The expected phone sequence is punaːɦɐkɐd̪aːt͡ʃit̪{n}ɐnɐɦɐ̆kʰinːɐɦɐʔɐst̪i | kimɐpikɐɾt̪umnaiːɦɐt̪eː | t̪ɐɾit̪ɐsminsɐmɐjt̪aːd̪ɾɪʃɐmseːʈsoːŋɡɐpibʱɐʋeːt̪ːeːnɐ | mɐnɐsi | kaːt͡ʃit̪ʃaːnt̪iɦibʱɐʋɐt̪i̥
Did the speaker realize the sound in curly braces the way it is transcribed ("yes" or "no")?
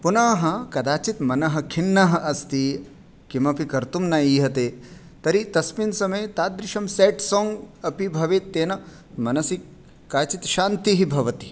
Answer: no